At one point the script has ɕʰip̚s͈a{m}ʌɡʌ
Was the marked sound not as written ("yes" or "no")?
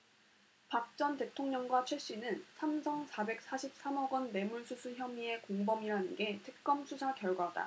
no